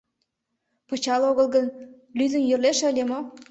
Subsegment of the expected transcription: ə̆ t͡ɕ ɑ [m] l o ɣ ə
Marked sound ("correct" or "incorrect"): incorrect